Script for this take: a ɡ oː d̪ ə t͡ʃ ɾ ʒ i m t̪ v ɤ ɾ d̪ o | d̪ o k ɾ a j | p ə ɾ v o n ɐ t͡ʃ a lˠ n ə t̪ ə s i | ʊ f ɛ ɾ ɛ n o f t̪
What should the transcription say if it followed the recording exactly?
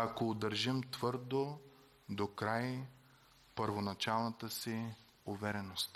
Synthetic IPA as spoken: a k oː d̪ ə ɾ ʒ i m t̪ v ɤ ɾ d̪ o | d̪ o k ɾ a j | p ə ɾ v o n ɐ t͡ʃ a lˠ n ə t̪ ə s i | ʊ v ɛ ɾ ɛ n o s t̪